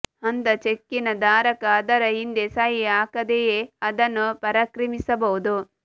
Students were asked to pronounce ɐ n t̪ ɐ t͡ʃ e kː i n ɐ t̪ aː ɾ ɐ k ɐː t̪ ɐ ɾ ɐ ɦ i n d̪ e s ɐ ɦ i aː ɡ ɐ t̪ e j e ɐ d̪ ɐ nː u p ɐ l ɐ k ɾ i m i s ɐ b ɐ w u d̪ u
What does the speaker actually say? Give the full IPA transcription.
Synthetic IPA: ɐ n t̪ ɐ t͡ʃ e kː i n ɐ d̪ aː ɾ ɐ k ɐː d̪ ɐ ɾ ɐ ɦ i n d̪ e s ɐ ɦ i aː k ɐ d̪ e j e ɐ d̪ ɐ nː u p ɐ ɾ ɐ k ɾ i m i s ɐ b ɐ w u d̪ u